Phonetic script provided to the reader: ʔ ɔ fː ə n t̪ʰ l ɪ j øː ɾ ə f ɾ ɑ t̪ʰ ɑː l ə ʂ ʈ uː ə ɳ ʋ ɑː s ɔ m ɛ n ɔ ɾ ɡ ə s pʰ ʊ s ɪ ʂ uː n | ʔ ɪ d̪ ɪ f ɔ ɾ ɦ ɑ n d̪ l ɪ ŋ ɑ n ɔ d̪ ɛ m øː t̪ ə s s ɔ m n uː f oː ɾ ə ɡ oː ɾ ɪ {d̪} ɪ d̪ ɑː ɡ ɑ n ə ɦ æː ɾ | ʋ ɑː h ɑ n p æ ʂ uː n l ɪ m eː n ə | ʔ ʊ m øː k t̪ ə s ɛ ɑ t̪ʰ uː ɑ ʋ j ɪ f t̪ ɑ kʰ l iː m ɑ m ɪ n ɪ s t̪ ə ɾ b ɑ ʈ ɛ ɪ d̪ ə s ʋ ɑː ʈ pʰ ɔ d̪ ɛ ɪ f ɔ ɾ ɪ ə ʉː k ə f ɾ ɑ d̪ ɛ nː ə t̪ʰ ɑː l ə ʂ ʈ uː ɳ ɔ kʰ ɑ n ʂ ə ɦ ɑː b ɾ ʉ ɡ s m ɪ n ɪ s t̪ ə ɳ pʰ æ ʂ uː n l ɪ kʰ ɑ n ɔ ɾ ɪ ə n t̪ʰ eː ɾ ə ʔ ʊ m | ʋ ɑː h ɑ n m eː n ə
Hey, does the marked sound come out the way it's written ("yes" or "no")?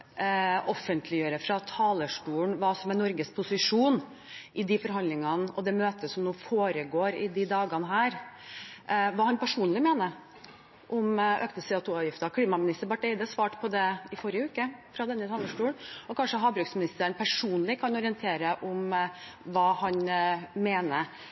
yes